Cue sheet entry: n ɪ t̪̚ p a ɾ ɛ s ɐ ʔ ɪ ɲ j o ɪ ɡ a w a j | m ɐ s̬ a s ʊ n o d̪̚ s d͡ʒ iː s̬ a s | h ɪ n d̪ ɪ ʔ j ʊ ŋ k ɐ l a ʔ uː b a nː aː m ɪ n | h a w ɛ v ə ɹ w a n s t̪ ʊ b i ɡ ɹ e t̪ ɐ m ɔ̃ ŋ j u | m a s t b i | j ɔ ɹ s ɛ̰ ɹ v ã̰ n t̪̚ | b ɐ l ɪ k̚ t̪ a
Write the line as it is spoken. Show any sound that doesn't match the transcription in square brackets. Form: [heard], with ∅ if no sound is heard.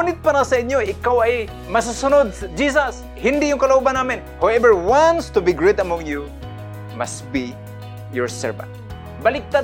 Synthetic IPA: n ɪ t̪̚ p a ɾ [a] s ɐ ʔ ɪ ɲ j o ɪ [k] a w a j | m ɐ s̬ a s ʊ n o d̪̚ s d͡ʒ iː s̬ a s | h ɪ n d̪ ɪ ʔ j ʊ ŋ k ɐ l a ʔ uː b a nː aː m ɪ n | h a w ɛ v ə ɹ w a n s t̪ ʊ b i ɡ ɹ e t̪ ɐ m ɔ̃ ŋ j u | m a s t b i | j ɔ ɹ s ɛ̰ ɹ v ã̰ n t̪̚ | b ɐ l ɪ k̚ t̪ a